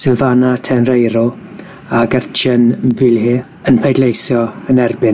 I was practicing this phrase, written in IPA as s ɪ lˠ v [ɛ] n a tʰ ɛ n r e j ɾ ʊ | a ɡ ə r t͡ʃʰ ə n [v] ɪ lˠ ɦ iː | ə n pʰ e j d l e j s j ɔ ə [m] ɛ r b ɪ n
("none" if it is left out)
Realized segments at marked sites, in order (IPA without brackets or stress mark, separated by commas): a, v, n